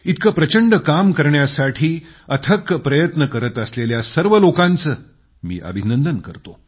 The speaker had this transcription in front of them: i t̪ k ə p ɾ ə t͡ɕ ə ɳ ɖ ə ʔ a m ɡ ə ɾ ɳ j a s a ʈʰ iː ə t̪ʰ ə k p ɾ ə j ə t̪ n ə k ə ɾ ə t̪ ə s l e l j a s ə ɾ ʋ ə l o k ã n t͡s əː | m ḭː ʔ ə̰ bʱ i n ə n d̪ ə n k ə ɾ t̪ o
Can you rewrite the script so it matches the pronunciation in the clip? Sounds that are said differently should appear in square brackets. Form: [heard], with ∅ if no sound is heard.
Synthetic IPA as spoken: i t̪ k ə p ɾ ə t͡ɕ ə ɳ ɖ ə [k] a m [k] ə ɾ ɳ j a s a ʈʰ iː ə t̪ʰ ə k p ɾ ə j ə t̪ n ə k ə ɾ ə t̪ ə s l e l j a s ə ɾ ʋ ə l o k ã n t͡s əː | m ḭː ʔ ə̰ bʱ i n ə n d̪ ə n k ə ɾ t̪ o